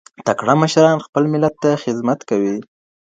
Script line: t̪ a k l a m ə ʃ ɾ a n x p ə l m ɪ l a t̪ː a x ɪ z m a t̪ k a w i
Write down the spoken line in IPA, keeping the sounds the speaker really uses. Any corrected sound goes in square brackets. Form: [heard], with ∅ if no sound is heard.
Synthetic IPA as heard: t̪ a k [ɽ] a m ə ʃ ɾ [ɑ] n x p ə l m ɪ l a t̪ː a x ɪ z m a t̪ k a w i